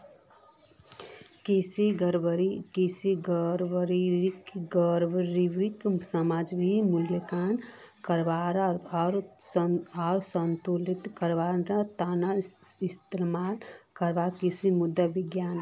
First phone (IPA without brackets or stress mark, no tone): k